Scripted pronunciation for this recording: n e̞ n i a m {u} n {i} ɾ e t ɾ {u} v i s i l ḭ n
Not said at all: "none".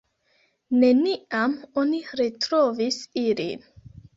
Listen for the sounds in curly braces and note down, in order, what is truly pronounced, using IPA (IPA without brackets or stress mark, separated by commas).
o, i, o